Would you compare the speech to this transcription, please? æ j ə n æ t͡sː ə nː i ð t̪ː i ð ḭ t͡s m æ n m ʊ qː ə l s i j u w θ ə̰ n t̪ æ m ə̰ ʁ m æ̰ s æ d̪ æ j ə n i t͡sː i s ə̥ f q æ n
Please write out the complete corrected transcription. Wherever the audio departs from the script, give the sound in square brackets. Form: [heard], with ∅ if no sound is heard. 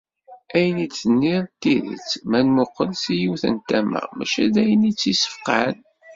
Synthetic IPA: æ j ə n [i] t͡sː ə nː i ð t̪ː i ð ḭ t͡s m æ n m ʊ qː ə l s i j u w θ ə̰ n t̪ æ m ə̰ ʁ m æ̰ [ʃ] æ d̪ æ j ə n i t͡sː i s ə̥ f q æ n